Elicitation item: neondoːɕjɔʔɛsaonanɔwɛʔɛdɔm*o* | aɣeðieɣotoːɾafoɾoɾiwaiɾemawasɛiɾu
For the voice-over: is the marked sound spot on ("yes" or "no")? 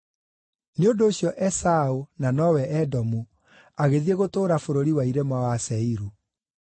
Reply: no